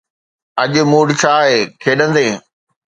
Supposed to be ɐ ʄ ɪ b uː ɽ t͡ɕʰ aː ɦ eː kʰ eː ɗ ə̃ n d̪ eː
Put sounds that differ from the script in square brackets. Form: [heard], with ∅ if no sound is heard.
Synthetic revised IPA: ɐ ʄ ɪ [m] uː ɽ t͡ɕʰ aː ɦ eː kʰ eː ɗ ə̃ n d̪ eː